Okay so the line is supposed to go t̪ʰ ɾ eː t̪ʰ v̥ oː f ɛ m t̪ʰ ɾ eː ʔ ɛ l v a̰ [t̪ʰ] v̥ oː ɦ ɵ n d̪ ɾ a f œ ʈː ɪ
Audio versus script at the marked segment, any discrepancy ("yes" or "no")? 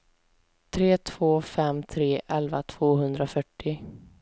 no